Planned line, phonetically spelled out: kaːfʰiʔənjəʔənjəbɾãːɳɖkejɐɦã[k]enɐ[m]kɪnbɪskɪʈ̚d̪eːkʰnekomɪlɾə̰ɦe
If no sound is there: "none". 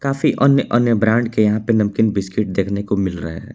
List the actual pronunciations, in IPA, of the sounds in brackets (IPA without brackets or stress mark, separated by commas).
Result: p, m